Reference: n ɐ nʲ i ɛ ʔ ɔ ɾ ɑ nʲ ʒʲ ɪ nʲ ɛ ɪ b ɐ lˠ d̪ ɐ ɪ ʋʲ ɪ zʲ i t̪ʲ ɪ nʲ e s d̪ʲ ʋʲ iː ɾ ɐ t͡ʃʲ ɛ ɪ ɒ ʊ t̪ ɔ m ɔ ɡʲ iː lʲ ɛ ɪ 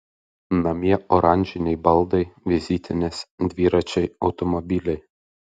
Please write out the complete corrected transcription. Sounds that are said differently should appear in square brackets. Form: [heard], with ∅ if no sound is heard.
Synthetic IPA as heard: n ɐ [mʲ] i ɛ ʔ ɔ ɾ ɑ nʲ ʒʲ ɪ nʲ ɛ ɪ b ɐ lˠ d̪ ɐ ɪ ʋʲ ɪ zʲ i t̪ʲ ɪ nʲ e s d̪ʲ ʋʲ iː ɾ ɐ t͡ʃʲ ɛ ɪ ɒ ʊ t̪ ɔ m ɔ [bʲ] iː lʲ ɛ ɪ

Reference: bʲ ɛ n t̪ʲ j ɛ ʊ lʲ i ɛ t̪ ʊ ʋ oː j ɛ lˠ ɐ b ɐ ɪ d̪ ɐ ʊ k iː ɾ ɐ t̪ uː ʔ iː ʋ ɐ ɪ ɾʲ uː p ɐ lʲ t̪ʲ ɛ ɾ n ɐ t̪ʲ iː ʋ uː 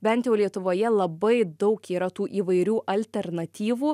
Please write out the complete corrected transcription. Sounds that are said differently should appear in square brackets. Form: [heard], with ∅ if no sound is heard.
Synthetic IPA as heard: bʲ ɛ n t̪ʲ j ɛ ʊ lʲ i ɛ t̪ ʊ ʋ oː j ɛ lˠ ɐ b ɐ ɪ d̪ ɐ ʊ k iː ɾ ɐ t̪ uː ʔ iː ʋ ɐ ɪ ɾʲ uː [ʔ] ɐ lʲ t̪ʲ ɛ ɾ n ɐ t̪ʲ iː ʋ uː

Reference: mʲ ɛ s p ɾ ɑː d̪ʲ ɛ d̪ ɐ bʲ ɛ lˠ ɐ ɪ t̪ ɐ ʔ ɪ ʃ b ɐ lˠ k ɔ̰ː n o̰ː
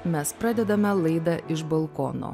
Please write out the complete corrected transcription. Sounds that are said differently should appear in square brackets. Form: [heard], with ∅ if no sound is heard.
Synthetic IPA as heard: mʲ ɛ s p ɾ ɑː d̪ʲ ɛ d̪ ɐ [mʲ] ɛ lˠ ɐ ɪ [d̪] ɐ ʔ ɪ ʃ b ɐ lˠ k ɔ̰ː n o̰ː

